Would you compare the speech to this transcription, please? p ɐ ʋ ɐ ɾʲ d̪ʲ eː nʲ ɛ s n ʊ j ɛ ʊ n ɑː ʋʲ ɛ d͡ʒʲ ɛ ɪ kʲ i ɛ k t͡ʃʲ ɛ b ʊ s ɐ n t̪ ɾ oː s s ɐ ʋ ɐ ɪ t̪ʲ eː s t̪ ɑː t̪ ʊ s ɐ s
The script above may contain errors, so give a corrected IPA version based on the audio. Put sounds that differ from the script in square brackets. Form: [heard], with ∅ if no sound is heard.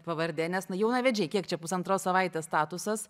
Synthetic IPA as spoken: p ɐ ʋ ɐ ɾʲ d̪ʲ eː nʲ ɛ s n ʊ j ɛ ʊ n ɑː ʋʲ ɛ d͡ʒʲ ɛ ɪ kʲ i ɛ k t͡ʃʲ ɛ [p] ʊ s ɐ n t̪ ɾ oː s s ɐ ʋ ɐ ɪ t̪ʲ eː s t̪ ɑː t̪ ʊ s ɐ s